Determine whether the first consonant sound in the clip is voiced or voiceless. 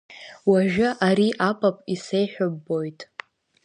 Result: voiced